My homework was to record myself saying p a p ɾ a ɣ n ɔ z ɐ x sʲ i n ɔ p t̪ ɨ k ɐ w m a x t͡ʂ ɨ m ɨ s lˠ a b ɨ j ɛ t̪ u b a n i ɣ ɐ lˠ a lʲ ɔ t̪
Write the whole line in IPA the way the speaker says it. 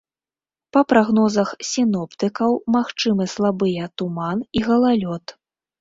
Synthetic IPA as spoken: p ɐ p ɾ a ɣ n ɔ z ɐ x sʲ i n ɔ p t̪ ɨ k ɐ w m a x t͡ʂ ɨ m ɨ s lˠ a b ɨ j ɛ t̪ u m a n i ɣ ɐ lˠ a lʲ ɔ t̪